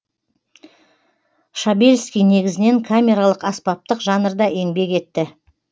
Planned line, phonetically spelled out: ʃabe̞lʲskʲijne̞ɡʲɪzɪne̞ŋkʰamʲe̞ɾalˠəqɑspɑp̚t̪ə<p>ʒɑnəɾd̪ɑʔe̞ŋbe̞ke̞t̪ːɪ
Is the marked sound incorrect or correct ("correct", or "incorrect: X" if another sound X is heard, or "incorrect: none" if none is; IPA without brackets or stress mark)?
incorrect: q